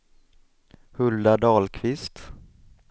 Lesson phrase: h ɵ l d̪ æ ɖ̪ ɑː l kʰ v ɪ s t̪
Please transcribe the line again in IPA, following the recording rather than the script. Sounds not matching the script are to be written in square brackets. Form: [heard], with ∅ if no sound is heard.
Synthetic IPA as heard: h ɵ l d̪ [a] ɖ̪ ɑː l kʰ v ɪ s t̪